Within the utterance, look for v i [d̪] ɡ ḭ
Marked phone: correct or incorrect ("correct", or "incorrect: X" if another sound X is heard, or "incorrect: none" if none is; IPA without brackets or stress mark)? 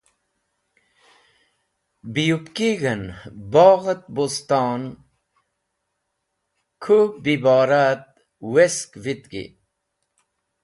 incorrect: t̪